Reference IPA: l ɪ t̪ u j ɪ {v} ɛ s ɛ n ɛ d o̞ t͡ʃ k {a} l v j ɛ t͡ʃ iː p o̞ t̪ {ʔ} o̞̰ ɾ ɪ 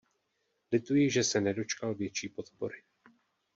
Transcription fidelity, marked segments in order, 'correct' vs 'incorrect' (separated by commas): incorrect, correct, incorrect